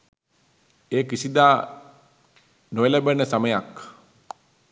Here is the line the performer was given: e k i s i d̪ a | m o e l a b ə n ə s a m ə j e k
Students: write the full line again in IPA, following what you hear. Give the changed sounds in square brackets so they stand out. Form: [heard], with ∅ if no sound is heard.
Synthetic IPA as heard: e k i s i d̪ a | [n] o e l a b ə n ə s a m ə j [a] k